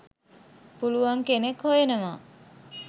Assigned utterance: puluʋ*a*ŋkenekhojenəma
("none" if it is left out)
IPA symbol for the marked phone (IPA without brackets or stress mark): a